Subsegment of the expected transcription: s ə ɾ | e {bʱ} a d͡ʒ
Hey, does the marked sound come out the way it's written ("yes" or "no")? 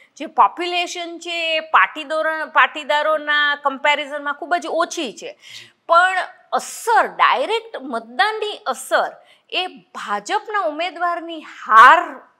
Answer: yes